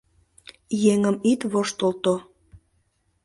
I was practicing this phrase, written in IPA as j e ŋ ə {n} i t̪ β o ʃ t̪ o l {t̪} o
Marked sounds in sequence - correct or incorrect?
incorrect: m, correct

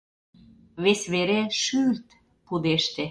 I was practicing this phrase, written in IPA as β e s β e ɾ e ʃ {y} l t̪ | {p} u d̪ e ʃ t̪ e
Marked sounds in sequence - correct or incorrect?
correct, correct

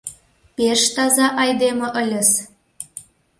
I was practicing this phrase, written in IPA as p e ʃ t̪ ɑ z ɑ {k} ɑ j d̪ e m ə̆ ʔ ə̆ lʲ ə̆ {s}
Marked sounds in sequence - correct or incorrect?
incorrect: ʔ, correct

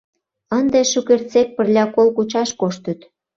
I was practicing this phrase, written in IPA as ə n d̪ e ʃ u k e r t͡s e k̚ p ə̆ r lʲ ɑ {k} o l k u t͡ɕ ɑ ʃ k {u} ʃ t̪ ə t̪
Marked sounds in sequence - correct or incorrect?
correct, incorrect: o

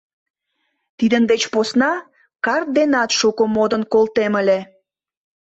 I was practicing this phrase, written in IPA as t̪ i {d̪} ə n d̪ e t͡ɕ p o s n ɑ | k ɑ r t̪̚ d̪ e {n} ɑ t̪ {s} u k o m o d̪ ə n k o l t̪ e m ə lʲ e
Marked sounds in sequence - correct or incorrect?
correct, correct, incorrect: ʃ

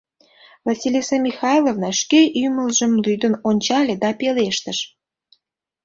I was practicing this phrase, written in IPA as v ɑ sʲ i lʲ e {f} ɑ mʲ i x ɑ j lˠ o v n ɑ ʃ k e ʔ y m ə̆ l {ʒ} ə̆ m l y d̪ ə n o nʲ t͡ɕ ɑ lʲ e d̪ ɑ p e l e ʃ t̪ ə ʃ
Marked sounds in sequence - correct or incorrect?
incorrect: s, correct

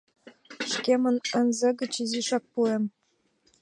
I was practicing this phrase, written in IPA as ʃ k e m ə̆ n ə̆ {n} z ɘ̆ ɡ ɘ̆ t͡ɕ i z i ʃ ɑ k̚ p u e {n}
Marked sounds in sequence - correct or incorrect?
correct, incorrect: m

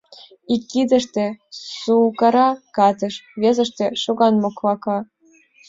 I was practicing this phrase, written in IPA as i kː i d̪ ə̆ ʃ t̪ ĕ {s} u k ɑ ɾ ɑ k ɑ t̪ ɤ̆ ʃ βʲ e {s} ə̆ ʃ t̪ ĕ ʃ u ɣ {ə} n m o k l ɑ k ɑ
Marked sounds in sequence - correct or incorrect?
correct, incorrect: z, incorrect: ɑ

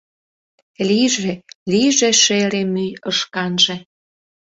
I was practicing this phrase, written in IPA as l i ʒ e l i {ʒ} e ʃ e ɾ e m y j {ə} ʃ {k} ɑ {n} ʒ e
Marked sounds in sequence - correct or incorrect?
correct, correct, correct, correct

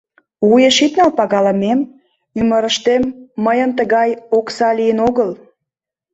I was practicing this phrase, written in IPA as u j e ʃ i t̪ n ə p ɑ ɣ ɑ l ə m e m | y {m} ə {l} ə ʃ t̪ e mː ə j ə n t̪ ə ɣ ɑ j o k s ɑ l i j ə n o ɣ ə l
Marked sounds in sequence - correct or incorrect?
correct, incorrect: ɾ

